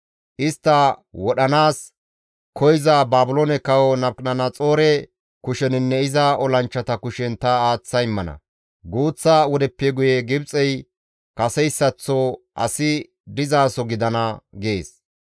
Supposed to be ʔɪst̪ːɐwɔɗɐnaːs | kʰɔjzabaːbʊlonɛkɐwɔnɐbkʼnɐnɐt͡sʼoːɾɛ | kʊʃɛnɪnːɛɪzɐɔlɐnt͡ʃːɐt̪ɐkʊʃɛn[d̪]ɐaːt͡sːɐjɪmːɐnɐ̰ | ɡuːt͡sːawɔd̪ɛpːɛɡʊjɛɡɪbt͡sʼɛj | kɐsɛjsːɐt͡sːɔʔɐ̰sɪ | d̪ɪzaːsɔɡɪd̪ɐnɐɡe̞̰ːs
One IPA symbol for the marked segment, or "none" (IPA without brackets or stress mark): t̪